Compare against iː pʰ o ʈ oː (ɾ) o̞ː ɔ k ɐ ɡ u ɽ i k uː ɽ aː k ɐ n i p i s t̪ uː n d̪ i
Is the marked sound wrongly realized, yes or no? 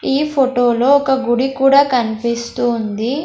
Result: yes